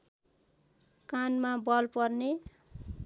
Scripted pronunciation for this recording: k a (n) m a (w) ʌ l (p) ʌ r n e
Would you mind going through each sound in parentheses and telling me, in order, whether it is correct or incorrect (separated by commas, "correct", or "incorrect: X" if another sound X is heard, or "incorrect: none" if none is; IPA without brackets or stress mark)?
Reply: correct, incorrect: b, correct